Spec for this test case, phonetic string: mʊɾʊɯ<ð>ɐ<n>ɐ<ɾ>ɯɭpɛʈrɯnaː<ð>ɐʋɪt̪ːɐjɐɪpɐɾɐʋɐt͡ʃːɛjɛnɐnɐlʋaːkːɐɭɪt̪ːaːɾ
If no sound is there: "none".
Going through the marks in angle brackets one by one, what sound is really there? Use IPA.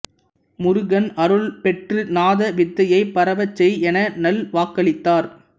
ɣ, n, ɾ, ð

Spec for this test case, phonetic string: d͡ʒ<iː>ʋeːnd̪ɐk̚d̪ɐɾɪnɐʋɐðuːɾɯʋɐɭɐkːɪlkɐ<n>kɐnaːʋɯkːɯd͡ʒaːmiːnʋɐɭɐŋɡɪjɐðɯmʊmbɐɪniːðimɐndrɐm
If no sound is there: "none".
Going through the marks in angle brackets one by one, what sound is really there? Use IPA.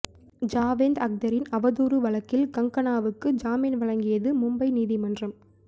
aː, ŋ

